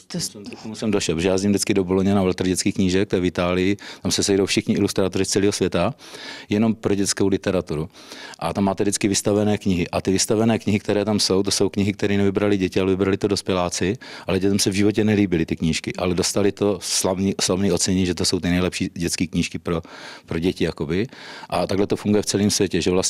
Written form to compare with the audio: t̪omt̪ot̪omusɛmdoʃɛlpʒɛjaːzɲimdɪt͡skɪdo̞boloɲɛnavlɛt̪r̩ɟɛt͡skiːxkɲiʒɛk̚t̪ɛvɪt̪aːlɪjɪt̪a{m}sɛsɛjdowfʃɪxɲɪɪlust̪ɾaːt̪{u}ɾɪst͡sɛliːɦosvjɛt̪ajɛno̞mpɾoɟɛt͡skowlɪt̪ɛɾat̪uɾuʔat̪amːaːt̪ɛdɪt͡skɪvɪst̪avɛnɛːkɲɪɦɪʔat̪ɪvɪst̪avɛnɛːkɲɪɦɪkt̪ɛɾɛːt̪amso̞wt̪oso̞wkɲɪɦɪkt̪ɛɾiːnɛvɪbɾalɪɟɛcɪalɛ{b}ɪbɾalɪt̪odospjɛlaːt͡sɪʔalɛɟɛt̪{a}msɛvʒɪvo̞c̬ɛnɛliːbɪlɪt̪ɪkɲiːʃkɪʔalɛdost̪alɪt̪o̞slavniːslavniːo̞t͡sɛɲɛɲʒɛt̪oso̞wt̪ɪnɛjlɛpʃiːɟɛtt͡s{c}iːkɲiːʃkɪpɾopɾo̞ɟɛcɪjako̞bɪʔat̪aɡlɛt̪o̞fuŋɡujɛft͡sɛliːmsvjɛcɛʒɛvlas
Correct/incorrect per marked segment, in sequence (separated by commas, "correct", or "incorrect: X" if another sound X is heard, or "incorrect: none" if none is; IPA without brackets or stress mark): correct, incorrect: o, incorrect: v, incorrect: ɛ, incorrect: k